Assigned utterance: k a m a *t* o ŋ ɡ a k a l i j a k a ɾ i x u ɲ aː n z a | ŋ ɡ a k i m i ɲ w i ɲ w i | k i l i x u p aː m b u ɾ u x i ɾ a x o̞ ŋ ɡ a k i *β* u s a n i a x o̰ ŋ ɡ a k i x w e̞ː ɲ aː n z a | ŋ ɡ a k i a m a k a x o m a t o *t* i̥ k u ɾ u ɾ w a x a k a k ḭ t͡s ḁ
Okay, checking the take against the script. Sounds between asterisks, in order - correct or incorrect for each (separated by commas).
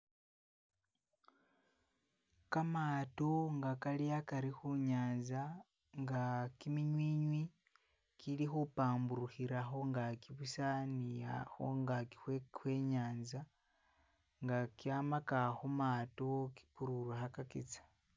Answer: correct, correct, incorrect